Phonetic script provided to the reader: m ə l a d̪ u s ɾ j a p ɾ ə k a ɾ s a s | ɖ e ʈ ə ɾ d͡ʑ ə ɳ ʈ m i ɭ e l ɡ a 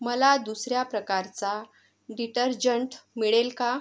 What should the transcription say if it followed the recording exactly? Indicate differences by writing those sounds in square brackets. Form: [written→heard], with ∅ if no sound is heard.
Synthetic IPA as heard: m ə l a d̪ u s ɾ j a p ɾ ə k a ɾ [s→t͡s] a [s→∅] | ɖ [e→i] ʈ ə ɾ d͡ʑ ə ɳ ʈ m i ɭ e l [ɡ→k] a